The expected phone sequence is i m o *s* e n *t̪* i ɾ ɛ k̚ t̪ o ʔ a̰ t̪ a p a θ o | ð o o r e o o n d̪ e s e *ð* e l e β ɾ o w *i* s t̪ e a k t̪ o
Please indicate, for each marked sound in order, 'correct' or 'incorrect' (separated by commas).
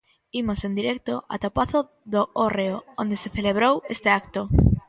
correct, incorrect, incorrect, incorrect